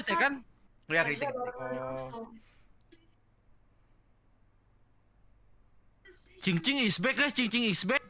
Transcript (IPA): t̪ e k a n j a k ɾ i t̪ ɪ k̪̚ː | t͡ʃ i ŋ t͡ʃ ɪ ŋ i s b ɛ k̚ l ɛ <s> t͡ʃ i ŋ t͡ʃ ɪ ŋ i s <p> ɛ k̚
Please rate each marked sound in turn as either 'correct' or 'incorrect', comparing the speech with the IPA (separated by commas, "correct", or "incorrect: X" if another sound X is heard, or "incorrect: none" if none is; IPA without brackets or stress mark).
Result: incorrect: h, incorrect: b